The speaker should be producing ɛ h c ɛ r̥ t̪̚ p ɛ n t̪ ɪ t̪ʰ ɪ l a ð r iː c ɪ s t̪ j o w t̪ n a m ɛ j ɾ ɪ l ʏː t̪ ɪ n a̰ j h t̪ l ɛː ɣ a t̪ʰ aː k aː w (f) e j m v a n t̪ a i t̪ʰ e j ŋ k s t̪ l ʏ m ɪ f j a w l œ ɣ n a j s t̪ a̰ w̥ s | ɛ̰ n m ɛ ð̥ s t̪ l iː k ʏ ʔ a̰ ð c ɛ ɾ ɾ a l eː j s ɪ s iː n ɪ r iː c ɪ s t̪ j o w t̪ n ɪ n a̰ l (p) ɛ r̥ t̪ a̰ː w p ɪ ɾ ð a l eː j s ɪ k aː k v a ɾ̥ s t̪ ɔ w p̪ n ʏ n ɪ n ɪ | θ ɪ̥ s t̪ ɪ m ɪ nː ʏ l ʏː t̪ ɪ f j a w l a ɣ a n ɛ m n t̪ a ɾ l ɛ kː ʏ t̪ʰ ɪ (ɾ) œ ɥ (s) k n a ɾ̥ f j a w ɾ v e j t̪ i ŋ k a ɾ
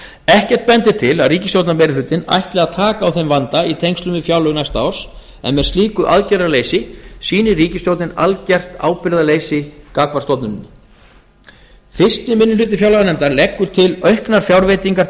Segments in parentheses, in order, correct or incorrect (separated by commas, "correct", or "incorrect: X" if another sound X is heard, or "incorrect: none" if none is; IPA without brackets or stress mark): incorrect: θ, incorrect: c, incorrect: l, incorrect: h